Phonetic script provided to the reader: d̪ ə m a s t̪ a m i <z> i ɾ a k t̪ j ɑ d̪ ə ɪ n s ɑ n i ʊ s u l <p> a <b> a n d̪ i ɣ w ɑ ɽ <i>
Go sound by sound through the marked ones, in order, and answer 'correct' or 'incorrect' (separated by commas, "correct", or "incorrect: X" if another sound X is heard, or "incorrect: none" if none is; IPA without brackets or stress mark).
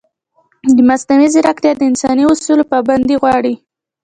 correct, correct, correct, correct